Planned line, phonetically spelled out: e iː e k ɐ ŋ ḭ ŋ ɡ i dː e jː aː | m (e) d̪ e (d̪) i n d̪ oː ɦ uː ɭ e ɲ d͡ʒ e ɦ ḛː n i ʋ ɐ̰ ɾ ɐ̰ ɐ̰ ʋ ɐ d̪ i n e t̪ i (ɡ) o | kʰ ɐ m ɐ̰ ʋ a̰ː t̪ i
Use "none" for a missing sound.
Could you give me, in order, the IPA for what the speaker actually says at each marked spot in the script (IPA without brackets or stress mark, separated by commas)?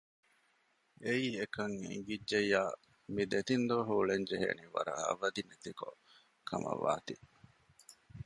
i, t̪, k